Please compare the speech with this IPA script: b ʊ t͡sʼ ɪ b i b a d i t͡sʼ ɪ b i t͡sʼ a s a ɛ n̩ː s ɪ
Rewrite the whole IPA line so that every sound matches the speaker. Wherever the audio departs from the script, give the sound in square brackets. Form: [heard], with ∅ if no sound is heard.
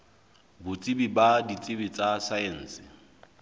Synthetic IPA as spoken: b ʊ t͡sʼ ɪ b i b a d i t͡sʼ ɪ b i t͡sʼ a s a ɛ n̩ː s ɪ